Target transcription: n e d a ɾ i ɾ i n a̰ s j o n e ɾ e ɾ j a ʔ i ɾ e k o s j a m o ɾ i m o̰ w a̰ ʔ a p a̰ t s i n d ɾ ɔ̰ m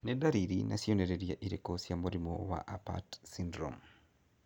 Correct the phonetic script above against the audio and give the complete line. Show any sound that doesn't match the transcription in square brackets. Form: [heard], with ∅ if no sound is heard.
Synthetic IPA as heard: n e d a ɾ i ɾ i n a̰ s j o n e ɾ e ɾ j a ʔ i ɾ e k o s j a m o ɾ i m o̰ w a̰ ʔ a p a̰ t s i n d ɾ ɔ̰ m